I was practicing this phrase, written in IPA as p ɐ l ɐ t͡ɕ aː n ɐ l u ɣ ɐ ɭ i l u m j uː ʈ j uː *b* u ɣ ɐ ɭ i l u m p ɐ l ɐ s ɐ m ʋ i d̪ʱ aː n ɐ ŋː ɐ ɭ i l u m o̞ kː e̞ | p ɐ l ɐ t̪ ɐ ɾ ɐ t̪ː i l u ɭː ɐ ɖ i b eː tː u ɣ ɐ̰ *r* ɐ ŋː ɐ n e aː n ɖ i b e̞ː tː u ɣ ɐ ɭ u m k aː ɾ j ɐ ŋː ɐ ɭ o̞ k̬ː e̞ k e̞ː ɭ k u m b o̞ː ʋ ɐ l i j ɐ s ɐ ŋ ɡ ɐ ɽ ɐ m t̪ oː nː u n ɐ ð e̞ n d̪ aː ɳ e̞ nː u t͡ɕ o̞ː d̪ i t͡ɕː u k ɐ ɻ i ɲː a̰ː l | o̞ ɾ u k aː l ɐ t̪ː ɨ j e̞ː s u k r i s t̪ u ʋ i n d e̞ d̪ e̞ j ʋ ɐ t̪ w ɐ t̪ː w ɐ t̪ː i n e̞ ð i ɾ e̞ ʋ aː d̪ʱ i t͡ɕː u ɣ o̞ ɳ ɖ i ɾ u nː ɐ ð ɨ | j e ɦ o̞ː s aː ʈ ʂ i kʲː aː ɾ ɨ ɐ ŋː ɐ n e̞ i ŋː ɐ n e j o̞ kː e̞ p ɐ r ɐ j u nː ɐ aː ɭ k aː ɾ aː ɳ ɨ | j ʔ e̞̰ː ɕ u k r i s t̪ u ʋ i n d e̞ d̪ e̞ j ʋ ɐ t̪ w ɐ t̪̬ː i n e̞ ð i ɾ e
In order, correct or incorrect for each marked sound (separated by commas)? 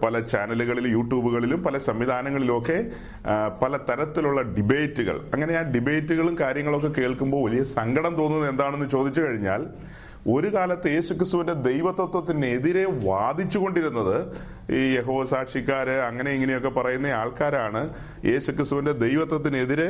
correct, incorrect